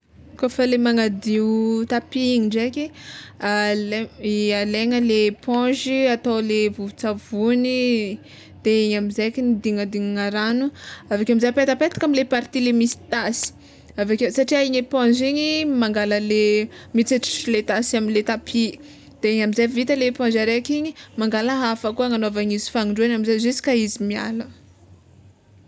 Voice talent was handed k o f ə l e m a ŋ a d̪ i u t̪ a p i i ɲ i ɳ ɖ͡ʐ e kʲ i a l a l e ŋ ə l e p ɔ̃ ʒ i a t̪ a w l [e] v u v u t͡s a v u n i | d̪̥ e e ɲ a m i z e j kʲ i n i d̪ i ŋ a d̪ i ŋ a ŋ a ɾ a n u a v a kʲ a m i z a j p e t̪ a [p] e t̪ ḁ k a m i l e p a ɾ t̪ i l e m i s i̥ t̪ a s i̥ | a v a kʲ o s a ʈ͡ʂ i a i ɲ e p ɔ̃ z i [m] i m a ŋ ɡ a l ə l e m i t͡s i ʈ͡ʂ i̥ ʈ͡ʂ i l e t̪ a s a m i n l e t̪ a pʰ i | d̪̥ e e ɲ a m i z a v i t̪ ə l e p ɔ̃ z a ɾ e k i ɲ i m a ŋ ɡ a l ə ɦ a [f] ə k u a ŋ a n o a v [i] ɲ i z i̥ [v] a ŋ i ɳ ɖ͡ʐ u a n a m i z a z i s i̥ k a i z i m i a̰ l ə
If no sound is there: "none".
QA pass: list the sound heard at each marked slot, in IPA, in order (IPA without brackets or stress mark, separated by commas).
e, p, ɲ, f, a, f